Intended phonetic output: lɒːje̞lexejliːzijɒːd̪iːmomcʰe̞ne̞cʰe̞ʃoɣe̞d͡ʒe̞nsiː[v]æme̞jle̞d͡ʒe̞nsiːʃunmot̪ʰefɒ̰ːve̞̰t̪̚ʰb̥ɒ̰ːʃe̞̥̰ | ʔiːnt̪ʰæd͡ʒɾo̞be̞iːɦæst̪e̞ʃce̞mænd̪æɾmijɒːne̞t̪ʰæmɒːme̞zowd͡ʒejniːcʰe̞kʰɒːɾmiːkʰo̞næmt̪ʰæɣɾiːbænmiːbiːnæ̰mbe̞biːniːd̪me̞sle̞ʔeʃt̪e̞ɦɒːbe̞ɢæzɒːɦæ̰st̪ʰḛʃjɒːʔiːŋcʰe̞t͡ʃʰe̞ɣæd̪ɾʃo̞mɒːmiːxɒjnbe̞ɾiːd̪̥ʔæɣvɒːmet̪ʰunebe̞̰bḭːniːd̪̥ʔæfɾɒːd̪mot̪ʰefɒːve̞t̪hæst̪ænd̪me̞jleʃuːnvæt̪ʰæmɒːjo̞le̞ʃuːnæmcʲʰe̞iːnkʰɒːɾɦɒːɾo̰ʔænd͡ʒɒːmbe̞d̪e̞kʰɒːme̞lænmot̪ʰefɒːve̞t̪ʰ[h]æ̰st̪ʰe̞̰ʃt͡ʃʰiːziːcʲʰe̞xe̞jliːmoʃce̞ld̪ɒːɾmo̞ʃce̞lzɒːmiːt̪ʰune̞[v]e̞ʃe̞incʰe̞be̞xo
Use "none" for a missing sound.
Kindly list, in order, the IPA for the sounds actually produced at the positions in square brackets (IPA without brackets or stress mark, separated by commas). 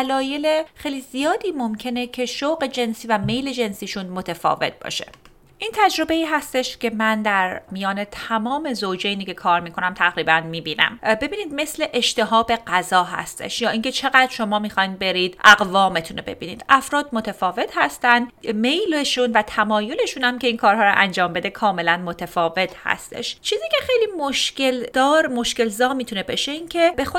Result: v, h, b